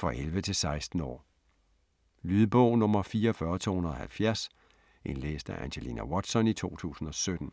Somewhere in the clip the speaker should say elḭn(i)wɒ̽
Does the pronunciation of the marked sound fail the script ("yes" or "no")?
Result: yes